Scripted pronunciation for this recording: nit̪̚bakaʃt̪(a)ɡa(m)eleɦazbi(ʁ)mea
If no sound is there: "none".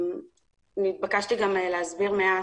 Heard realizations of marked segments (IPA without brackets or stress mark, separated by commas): i, m, ʁ